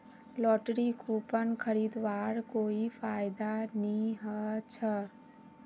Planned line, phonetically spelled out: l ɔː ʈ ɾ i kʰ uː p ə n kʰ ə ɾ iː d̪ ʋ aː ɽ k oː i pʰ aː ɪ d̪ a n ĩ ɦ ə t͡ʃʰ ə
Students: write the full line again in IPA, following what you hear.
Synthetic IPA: l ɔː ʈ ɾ i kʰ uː p ə n kʰ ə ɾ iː d̪ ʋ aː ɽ k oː i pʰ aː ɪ d̪ a n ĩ ɦ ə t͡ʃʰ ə